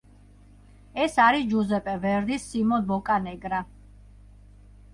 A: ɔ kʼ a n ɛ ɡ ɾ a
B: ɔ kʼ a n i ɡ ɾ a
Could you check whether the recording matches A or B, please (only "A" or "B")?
A